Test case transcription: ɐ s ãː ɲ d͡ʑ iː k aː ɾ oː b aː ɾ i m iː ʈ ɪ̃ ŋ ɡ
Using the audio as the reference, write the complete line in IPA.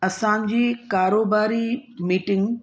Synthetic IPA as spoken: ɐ s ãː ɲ d͡ʑ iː k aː ɾ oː b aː ɾ i m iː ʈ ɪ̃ ŋ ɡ